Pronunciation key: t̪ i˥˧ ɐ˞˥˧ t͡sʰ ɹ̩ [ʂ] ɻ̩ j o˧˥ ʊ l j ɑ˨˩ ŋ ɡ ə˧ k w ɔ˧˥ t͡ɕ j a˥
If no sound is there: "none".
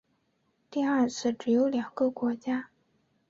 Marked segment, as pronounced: ʈ͡ʂ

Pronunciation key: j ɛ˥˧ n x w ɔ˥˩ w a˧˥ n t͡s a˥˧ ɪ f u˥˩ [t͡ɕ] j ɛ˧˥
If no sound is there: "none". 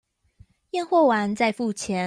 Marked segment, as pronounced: t͡ɕʰ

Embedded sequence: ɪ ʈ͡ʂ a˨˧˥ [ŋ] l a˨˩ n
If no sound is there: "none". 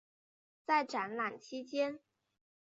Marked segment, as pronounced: n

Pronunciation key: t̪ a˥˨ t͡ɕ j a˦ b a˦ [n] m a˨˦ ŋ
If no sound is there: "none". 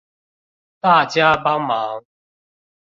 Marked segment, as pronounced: ŋ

